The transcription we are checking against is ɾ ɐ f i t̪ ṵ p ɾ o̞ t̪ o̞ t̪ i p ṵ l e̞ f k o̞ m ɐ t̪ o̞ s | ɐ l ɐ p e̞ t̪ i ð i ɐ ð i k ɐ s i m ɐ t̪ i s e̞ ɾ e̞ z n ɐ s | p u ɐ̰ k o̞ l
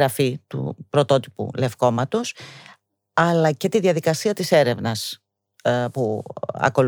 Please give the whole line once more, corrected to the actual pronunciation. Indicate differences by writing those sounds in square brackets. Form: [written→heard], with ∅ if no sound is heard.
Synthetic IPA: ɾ ɐ f i t̪ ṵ p ɾ o̞ t̪ o̞ t̪ i p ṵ l e̞ f k o̞ m ɐ t̪ o̞ s | ɐ l ɐ [p→c] e̞ t̪ i ð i ɐ ð i k ɐ s i [m→∅] ɐ t̪ i s e̞ ɾ e̞ [z→v] n ɐ s | p u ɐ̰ k o̞ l